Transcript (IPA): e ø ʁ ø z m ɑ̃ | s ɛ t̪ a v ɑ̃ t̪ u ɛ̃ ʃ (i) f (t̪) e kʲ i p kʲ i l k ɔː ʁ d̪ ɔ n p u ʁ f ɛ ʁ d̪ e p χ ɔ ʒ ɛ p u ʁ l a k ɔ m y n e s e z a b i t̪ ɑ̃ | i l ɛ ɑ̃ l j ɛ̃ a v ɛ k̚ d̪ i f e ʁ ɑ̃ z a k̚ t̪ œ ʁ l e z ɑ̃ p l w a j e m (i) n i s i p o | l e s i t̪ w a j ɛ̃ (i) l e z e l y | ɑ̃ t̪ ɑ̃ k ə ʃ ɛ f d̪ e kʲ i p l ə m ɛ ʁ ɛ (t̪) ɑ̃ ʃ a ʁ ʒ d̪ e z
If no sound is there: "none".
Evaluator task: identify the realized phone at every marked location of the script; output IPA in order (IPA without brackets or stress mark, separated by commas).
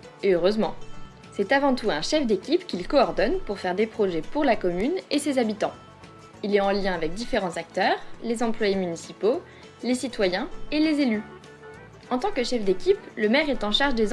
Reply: ɛ, d̪, y, e, t̪